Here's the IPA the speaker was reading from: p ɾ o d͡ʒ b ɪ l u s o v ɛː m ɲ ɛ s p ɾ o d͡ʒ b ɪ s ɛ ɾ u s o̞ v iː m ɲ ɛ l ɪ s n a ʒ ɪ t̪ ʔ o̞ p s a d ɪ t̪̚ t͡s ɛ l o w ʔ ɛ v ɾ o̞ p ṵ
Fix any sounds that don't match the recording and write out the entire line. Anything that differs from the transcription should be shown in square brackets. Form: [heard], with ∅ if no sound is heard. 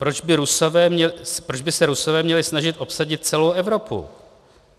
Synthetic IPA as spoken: p ɾ o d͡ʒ b ɪ [ɾ] u s o v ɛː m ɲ ɛ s p ɾ o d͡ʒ b ɪ s ɛ ɾ u s o̞ v [ɛː] m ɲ ɛ l ɪ s n a ʒ ɪ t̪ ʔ o̞ p s a [ɟ] ɪ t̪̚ t͡s ɛ l o w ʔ ɛ v ɾ o̞ p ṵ